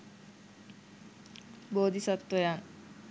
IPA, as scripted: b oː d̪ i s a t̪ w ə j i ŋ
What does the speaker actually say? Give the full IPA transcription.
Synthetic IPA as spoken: b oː d̪ i s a t̪ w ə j a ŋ